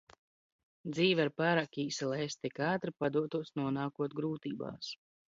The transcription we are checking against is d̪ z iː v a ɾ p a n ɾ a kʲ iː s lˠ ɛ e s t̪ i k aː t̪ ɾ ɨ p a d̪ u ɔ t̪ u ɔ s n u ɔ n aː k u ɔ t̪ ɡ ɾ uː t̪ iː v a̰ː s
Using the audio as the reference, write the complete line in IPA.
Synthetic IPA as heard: d̪ z iː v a ɾ p a ɾ a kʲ iː s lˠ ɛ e s t̪ i k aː t̪ ɾ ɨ p a d̪ u ɔ t̪ u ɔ s n u ɔ n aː k u ɔ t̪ ɡ ɾ uː t̪ iː b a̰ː s